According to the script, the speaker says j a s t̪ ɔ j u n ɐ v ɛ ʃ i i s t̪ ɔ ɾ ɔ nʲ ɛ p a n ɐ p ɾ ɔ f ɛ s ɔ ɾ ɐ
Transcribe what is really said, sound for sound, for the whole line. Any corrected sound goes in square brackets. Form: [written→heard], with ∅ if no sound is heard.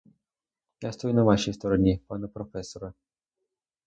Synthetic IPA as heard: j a s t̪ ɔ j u n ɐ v [ɛ→a] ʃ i [i→j] s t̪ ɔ ɾ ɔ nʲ [ɛ→i] p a n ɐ p ɾ ɔ f ɛ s ɔ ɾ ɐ